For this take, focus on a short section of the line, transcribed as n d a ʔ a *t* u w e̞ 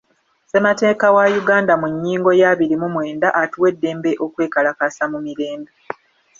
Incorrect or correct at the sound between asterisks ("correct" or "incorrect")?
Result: correct